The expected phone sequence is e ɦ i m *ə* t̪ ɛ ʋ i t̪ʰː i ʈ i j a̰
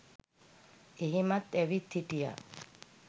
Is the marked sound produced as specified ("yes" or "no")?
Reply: no